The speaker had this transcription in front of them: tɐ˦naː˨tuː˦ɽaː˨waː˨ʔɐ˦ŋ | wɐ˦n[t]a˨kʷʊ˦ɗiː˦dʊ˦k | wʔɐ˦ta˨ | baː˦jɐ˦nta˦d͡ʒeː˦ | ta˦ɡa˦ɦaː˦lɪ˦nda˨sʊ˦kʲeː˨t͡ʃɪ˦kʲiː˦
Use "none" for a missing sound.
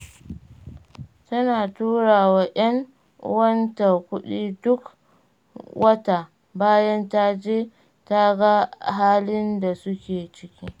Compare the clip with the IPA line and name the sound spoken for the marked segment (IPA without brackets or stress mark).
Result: t